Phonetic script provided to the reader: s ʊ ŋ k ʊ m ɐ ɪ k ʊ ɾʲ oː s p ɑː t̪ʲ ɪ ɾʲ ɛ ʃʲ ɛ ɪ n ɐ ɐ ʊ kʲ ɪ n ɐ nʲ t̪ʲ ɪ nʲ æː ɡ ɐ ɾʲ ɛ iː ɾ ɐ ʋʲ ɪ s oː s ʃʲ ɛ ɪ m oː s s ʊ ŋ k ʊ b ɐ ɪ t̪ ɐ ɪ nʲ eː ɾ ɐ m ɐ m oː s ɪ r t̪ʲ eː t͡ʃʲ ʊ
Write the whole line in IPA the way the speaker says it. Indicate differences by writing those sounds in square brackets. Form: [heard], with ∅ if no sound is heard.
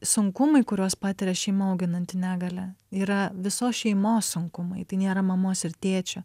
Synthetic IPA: s ʊ ŋ k ʊ m ɐ ɪ k ʊ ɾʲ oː s p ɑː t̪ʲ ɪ ɾʲ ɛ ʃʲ ɛ ɪ [m] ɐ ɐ ʊ [ɡʲ] ɪ n ɐ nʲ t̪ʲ ɪ nʲ æː ɡ ɐ [lʲ] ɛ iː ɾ ɐ ʋʲ ɪ s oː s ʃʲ ɛ ɪ m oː s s ʊ ŋ k ʊ [m] ɐ ɪ t̪ ɐ ɪ nʲ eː ɾ ɐ m ɐ m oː s ɪ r t̪ʲ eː t͡ʃʲ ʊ